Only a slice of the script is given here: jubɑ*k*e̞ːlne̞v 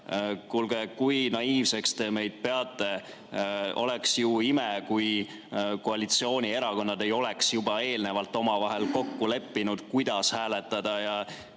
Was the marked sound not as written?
yes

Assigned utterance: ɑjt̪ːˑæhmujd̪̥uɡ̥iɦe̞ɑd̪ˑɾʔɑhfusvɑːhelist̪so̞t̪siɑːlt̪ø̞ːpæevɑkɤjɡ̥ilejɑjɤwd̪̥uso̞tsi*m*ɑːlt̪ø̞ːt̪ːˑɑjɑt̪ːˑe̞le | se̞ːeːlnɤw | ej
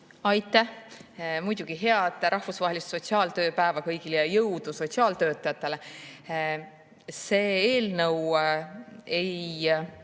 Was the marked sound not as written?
yes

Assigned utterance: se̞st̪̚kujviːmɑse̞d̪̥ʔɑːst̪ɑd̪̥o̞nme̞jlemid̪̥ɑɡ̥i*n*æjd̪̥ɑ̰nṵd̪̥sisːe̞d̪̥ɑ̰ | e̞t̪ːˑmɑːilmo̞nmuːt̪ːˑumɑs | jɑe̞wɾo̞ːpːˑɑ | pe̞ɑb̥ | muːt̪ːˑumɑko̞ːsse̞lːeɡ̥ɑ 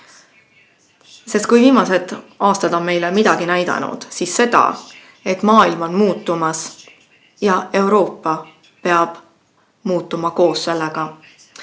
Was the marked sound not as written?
no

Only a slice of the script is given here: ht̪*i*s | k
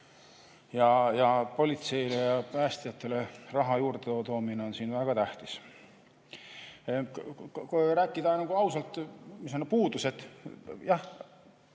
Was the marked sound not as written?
no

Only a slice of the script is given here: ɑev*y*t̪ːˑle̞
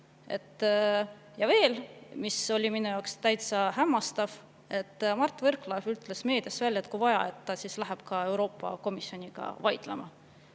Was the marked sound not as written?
no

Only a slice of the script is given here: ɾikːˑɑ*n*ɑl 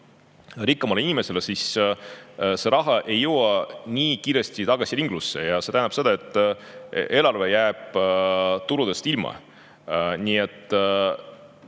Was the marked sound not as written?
yes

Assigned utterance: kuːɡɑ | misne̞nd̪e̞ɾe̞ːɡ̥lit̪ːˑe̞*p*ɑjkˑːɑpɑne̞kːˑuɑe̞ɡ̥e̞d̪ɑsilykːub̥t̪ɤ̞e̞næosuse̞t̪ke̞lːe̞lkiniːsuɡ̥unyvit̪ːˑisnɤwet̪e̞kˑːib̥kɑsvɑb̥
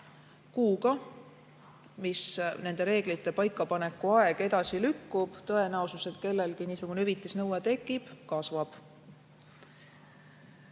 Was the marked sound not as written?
no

